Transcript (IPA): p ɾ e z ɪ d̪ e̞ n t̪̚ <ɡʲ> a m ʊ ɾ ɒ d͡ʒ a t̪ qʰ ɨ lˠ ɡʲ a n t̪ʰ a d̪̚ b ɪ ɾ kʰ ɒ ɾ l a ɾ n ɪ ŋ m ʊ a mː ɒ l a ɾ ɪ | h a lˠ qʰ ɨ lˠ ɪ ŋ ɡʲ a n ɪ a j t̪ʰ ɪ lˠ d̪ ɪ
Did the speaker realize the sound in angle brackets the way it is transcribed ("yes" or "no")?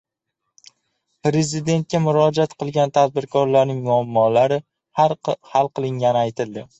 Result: no